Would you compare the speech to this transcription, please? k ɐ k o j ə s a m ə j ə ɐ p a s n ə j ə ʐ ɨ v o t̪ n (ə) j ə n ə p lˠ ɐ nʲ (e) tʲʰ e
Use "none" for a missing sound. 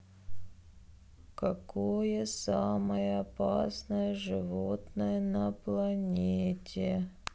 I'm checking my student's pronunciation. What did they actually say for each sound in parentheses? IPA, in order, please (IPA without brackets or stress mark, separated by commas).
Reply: ə, e